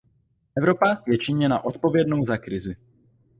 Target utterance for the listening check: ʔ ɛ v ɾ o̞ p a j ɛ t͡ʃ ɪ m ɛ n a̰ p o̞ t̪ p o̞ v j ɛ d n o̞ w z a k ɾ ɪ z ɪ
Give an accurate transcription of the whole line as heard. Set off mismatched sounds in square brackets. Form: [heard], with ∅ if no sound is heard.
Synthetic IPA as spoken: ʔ ɛ v ɾ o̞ p a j ɛ t͡ʃ ɪ [ɲ] ɛ n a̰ [ʔ] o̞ t̪ p o̞ v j ɛ d n o̞ w z a k ɾ ɪ z ɪ